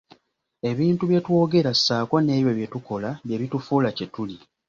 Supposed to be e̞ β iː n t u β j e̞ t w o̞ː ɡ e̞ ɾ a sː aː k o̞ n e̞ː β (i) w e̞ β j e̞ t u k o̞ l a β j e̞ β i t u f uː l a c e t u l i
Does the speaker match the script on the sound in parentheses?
no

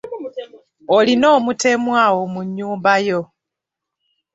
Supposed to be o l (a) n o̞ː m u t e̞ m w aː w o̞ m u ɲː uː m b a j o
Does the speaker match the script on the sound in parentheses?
no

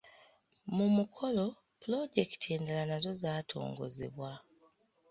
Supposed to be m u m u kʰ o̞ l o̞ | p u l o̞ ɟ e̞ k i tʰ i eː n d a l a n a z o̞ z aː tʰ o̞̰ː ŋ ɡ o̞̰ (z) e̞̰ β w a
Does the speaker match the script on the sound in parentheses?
yes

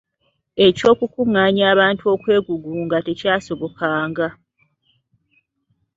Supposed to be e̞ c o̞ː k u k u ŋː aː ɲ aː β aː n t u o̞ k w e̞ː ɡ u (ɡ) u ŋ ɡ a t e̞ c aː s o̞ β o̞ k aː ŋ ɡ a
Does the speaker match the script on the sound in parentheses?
yes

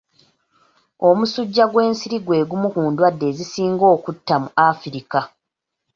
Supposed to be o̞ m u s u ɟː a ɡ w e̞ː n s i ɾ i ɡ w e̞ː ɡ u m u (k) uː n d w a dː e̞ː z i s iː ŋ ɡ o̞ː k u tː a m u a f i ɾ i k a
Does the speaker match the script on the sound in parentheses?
yes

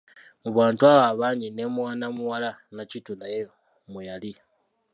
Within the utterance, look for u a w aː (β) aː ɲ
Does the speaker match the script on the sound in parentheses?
yes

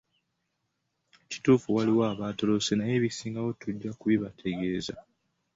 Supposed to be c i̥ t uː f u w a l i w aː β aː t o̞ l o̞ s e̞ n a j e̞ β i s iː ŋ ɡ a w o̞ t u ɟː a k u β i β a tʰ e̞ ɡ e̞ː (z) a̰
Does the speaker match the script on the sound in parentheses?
yes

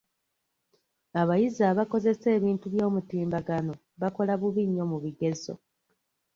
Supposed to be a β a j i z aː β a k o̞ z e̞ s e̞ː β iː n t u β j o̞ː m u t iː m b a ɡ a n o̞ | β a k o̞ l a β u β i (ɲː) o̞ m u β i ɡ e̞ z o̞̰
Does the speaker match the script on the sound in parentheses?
yes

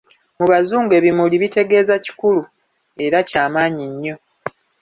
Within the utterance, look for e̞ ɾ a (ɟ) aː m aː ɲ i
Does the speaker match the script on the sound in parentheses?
no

